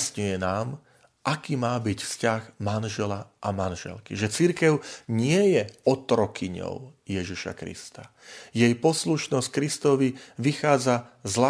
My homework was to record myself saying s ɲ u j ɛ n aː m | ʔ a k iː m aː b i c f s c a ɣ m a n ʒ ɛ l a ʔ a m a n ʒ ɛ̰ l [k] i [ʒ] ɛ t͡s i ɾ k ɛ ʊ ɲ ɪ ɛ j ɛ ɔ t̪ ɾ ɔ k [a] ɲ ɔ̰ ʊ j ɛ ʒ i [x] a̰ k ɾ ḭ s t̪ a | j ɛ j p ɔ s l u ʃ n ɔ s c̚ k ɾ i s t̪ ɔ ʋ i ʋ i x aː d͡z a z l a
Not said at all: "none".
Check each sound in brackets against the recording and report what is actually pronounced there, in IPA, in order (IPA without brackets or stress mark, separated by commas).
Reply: k, ʒ, i, ʃ